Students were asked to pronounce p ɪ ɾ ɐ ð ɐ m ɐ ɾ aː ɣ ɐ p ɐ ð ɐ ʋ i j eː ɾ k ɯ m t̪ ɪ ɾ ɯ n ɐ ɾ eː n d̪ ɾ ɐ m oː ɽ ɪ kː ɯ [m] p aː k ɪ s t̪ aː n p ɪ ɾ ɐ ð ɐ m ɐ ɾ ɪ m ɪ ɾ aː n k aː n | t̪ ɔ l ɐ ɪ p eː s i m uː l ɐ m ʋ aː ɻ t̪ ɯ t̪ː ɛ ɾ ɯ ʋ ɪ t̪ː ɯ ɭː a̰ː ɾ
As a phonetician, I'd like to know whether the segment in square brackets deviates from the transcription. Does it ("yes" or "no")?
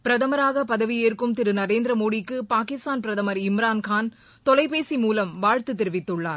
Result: yes